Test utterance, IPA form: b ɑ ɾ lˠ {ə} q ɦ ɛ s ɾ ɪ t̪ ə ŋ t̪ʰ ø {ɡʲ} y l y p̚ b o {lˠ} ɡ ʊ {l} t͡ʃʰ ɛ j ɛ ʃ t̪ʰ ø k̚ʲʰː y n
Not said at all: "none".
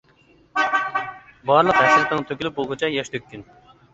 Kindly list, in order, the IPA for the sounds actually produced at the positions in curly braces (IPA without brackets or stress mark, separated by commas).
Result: ə, kʲ, lˠ, none